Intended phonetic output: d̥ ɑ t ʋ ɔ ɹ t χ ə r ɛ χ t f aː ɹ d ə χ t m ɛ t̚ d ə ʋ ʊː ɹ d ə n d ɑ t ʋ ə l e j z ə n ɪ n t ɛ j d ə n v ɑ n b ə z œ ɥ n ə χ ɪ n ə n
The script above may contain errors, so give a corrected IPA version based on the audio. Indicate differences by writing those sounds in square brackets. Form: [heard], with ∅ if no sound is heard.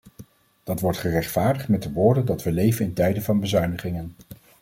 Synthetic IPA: d̥ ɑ t ʋ ɔ ɹ t χ ə r ɛ χ t f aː ɹ d ə χ t m ɛ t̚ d ə ʋ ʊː ɹ d ə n d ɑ t ʋ ə l e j [v] ə n ɪ n t ɛ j d ə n v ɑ n b ə z œ ɥ n ə χ ɪ [ŋ] ə n